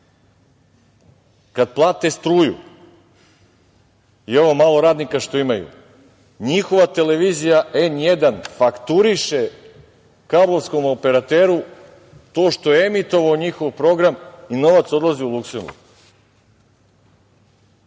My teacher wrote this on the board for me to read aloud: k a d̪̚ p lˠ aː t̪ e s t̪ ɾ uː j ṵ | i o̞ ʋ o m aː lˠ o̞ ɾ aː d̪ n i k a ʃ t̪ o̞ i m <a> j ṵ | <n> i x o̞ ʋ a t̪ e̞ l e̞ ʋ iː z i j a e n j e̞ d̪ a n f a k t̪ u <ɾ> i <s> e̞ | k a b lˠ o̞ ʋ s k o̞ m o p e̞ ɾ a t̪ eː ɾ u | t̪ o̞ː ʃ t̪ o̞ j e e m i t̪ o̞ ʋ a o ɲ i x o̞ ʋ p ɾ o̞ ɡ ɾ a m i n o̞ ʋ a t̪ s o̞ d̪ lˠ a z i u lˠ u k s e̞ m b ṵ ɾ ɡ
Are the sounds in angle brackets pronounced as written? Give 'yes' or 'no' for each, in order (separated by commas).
yes, no, yes, no